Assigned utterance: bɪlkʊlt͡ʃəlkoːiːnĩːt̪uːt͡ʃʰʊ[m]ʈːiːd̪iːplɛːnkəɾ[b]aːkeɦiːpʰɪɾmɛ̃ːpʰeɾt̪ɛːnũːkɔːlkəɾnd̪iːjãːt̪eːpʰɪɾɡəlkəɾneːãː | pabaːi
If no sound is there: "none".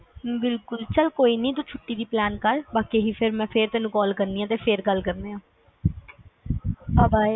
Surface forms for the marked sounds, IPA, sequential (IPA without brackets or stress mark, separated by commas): none, b